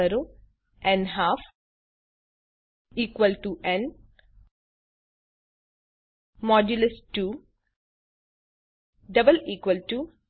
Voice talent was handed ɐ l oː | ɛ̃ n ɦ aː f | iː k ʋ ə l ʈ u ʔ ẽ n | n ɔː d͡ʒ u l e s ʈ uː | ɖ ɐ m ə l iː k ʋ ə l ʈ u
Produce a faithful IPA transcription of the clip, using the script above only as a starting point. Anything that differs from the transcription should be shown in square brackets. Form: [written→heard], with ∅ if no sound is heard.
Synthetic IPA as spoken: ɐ [l→ɾ] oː | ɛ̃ n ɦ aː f | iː k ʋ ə l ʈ u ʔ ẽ n | [n→m] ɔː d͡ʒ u l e s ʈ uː | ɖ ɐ [m→b] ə l iː k ʋ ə l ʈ u